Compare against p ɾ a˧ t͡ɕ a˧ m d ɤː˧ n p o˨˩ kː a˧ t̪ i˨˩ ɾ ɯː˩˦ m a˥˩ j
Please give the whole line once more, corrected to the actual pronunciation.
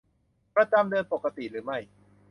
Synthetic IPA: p ɾ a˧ t͡ɕ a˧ m d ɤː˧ n p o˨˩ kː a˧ t̪ i˨˩ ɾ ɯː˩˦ m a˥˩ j